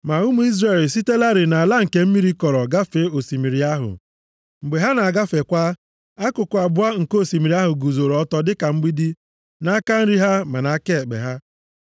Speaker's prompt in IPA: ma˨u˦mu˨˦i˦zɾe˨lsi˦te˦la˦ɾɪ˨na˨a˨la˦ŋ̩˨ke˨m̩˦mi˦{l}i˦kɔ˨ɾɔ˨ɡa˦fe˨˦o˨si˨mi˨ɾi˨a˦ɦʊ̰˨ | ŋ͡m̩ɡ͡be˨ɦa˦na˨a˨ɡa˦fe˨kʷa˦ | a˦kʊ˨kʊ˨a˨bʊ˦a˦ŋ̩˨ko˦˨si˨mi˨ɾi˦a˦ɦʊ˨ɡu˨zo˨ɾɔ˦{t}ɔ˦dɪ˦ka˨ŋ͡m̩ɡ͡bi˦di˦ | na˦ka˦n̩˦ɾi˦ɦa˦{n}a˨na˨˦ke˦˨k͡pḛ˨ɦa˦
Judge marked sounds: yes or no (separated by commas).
no, yes, no